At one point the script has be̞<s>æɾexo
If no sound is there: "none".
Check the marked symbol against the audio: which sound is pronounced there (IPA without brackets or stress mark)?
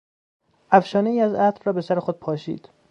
s